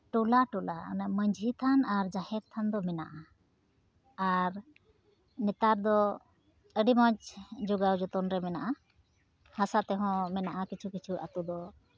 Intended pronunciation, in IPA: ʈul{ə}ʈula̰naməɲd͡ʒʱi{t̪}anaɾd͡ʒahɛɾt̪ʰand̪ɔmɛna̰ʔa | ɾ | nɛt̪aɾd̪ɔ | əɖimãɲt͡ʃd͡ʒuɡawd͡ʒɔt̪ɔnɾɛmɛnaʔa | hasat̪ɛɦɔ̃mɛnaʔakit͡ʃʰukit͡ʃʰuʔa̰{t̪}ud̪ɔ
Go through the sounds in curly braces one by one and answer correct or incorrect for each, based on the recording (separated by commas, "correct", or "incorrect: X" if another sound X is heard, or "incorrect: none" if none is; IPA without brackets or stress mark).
incorrect: a, incorrect: t̪ʰ, correct